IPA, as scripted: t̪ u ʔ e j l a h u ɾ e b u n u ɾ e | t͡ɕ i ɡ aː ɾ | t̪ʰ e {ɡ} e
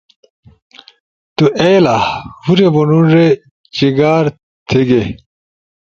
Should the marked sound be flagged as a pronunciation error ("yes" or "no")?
no